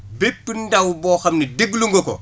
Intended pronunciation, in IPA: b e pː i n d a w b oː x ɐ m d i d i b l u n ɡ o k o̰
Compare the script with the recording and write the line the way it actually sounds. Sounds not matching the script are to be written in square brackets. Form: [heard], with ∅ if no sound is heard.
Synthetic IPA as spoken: b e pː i n d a w b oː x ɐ m [n] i d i [ɡ] l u [ŋ] ɡ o k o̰